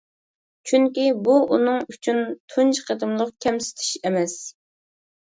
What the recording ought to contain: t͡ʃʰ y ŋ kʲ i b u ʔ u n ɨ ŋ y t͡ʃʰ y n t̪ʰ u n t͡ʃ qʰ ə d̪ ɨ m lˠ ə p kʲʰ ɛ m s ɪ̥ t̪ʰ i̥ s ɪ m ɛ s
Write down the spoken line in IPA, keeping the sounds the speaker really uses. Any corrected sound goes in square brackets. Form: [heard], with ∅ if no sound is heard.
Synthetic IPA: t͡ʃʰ y ŋ kʲ i b u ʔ u n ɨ ŋ y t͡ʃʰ y n t̪ʰ u n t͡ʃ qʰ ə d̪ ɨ m lˠ ə [q] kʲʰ ɛ m s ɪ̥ t̪ʰ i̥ [ʃ] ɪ m ɛ s